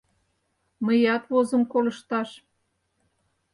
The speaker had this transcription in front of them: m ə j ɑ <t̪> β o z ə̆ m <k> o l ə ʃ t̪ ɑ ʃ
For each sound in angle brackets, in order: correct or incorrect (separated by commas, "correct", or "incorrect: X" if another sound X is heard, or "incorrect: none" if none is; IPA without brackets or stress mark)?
correct, correct